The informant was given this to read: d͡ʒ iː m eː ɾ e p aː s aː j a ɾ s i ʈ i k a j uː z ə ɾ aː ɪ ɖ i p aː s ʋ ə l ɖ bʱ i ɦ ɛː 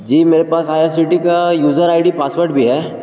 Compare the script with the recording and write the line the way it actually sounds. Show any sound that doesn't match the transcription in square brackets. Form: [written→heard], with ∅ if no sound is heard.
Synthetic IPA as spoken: d͡ʒ iː m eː ɾ e p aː s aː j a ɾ s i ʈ i k a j uː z ə ɾ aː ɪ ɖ i p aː s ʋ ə [l→ɾ] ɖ bʱ i ɦ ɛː